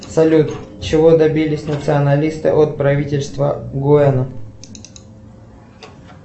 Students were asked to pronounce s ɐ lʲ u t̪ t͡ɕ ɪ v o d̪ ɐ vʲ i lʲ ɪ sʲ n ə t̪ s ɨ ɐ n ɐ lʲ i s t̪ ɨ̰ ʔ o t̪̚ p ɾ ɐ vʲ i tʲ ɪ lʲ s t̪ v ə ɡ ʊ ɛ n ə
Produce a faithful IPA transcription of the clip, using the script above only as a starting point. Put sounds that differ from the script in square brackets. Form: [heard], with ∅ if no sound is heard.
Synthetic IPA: s ɐ lʲ u t̪ t͡ɕ ɪ v o d̪ ɐ [bʲ] i lʲ ɪ sʲ n ə t̪ s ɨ ɐ n ɐ lʲ i s t̪ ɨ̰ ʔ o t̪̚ p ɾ ɐ vʲ i tʲ ɪ lʲ s t̪ v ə ɡ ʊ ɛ n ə